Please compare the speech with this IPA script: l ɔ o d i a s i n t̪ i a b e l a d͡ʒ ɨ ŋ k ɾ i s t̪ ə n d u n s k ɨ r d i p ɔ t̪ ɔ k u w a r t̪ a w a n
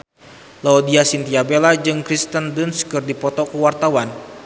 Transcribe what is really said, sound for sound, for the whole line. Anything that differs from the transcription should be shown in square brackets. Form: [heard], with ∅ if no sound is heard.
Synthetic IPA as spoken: l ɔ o d i a s i n t̪ i a b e l a d͡ʒ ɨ ŋ k ɾ i s t̪ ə n d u n s k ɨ r d i p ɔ t̪ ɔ k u w a r t̪ a w a n